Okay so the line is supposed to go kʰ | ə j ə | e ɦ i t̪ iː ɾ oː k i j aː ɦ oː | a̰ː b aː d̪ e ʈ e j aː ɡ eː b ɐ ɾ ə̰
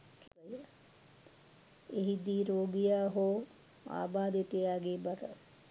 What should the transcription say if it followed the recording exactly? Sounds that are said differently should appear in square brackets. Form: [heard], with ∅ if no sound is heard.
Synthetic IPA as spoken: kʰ | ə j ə | e ɦ i [d̪] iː ɾ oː [ɡ] i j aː ɦ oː | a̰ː b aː d̪ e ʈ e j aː ɡ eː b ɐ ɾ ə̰